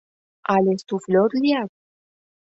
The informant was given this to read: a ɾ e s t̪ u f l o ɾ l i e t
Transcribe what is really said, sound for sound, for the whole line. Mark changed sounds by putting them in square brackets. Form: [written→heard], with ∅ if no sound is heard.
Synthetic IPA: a [ɾ→l] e s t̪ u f l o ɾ l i [e→a] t